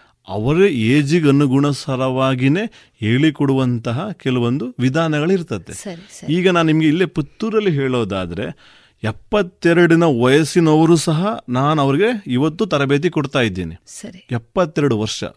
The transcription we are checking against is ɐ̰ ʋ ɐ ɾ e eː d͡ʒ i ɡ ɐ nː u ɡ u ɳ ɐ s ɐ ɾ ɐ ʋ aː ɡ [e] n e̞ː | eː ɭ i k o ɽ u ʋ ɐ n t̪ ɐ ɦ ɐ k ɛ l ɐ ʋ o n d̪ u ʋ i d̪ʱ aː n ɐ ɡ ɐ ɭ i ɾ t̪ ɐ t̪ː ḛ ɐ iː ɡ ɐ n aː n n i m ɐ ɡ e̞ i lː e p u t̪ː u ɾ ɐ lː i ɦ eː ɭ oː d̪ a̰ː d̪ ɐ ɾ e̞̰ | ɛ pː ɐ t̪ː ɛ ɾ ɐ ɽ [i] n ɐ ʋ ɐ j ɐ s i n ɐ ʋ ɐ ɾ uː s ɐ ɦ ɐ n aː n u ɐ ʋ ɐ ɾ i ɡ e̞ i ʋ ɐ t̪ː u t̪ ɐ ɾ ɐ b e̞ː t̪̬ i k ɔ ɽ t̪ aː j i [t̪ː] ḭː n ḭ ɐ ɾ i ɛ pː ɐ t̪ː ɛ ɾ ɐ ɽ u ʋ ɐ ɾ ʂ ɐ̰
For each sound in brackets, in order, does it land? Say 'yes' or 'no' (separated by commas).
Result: no, yes, no